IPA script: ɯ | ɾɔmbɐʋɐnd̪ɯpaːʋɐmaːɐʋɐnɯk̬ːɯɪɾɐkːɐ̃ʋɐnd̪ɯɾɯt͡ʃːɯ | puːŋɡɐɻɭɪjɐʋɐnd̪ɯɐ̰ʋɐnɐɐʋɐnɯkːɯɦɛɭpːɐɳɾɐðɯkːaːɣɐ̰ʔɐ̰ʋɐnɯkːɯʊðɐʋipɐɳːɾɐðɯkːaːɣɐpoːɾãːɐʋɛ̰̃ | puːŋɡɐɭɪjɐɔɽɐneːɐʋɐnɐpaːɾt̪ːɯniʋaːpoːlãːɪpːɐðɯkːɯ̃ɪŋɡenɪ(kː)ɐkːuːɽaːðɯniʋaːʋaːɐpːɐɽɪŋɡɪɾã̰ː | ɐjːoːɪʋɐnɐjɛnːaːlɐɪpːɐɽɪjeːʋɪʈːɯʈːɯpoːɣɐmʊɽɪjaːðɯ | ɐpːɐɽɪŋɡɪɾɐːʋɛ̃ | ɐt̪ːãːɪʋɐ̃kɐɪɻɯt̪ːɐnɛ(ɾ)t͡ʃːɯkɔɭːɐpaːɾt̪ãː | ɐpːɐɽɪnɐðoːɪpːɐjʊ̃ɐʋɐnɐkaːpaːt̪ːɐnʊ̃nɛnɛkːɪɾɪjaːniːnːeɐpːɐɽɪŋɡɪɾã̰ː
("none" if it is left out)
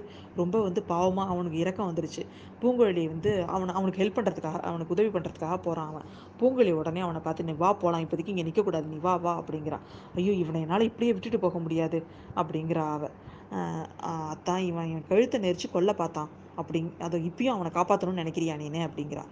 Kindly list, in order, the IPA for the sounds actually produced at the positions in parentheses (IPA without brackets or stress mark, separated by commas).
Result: kː, ɾ